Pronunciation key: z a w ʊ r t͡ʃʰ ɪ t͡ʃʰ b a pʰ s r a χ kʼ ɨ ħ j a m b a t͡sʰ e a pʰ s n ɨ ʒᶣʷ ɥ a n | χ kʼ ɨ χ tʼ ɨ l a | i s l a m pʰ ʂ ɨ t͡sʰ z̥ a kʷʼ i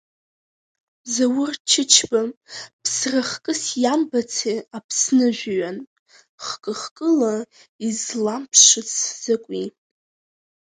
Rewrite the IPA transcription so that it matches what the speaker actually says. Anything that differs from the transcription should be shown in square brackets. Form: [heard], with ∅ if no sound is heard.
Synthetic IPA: z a w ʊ r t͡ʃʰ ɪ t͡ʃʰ b a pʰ s r a χ kʼ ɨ [s] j a m b a t͡sʰ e a pʰ s n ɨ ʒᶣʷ ɥ a n | χ kʼ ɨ χ [kʼ] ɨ l a | i [z] l a m pʰ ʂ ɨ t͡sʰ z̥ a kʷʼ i